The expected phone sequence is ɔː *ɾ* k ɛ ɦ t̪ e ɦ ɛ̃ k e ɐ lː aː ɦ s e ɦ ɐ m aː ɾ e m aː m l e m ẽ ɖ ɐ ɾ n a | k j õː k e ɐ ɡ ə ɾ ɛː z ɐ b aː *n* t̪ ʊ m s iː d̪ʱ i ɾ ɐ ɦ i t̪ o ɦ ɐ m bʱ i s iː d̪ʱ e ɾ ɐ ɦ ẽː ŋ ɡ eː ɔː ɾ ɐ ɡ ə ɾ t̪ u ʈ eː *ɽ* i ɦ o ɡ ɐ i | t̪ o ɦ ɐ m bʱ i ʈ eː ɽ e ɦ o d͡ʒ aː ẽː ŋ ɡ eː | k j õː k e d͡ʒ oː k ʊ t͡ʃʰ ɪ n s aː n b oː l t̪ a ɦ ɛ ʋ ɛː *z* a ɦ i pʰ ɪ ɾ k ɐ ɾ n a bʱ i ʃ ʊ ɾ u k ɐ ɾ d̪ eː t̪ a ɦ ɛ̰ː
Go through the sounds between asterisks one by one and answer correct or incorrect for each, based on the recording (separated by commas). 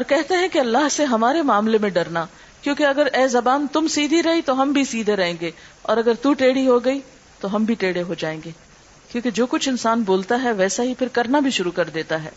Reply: correct, correct, correct, incorrect